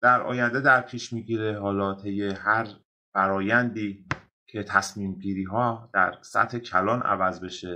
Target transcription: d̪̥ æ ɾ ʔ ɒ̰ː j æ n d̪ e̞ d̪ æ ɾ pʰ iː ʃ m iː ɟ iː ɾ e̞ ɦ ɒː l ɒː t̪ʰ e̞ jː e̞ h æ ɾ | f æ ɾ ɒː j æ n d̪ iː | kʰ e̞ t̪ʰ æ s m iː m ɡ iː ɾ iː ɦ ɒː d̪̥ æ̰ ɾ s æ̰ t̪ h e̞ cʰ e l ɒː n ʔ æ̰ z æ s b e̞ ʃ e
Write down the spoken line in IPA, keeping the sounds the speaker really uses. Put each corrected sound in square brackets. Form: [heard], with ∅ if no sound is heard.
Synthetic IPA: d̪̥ æ ɾ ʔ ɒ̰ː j æ n d̪ e̞ d̪ æ ɾ pʰ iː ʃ m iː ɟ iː ɾ e̞ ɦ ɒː l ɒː t̪ʰ e̞ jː e̞ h æ ɾ | f æ ɾ ɒː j æ n d̪ iː | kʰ e̞ t̪ʰ æ s m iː m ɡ iː ɾ iː ɦ ɒː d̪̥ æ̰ ɾ s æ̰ t̪ h e̞ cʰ [æ] l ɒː n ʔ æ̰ [v] æ [z] b e̞ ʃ e